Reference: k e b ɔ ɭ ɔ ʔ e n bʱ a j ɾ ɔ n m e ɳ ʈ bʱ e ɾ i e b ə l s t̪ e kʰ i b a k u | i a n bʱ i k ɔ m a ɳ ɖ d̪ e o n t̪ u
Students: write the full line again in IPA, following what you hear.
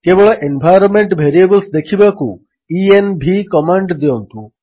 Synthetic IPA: k e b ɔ ɭ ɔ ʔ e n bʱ a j ɾ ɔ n m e ɳ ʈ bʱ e ɾ i e b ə l s d̪ e kʰ i b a k u | i e n bʱ i k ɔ m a ɳ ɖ d̪ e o n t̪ u